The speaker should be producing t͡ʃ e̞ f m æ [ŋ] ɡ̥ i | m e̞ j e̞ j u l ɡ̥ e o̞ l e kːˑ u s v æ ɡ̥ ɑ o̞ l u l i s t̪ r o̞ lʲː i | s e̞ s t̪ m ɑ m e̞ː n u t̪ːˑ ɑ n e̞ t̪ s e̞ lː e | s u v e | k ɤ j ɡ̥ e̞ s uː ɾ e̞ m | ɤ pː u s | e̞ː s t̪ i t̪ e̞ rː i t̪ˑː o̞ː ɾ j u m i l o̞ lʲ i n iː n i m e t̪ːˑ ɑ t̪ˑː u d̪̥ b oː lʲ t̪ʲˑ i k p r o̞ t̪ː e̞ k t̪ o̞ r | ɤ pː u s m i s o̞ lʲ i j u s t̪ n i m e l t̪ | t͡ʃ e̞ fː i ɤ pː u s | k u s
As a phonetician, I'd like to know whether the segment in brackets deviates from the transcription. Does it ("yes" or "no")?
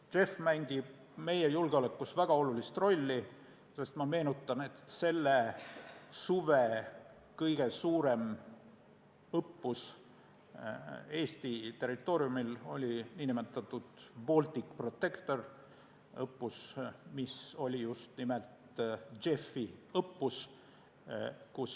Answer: no